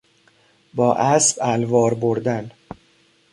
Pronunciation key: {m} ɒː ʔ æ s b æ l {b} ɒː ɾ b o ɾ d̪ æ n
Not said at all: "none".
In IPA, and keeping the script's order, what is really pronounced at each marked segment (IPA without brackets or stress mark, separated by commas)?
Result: b, v